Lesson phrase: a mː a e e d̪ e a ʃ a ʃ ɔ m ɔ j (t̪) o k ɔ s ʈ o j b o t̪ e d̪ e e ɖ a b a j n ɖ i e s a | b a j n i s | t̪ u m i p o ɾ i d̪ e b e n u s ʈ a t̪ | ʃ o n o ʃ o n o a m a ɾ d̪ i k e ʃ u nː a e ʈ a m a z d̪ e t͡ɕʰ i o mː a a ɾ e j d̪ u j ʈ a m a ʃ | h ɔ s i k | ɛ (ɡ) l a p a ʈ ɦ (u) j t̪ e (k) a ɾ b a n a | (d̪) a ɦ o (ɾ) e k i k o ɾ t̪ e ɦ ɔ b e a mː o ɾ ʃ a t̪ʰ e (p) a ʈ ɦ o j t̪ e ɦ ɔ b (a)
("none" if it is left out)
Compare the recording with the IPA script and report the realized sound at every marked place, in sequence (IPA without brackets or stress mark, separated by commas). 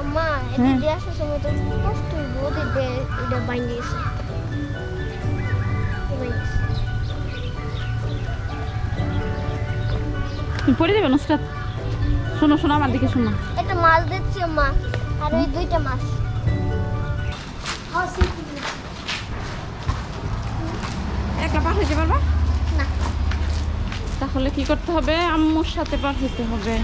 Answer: t̪, k, o, p, t̪, l, p, e